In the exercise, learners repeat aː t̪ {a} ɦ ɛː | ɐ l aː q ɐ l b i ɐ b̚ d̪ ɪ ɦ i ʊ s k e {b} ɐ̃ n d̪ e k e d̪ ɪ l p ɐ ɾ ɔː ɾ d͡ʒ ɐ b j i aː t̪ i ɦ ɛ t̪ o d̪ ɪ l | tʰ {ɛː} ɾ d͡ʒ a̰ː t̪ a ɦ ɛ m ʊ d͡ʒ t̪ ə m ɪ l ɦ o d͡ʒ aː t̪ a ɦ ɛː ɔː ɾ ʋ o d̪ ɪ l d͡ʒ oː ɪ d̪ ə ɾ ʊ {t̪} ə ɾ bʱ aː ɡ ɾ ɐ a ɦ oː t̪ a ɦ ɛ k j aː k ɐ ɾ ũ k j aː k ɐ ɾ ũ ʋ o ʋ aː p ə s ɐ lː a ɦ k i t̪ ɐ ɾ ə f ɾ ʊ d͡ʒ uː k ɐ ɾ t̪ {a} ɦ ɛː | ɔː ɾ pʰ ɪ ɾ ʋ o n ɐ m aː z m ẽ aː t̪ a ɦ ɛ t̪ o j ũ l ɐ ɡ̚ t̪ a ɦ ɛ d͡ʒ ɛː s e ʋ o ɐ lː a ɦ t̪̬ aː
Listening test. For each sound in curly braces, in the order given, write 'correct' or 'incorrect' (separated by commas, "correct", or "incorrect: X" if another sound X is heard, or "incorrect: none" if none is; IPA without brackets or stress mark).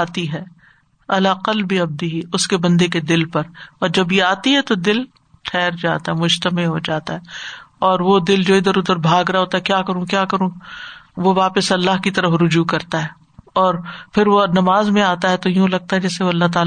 incorrect: i, correct, correct, incorrect: d̪, correct